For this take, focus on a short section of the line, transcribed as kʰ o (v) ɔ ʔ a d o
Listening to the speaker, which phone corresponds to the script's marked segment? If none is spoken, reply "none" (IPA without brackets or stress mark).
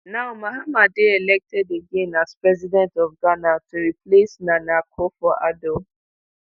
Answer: f